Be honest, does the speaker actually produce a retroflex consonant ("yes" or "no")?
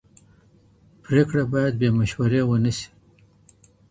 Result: yes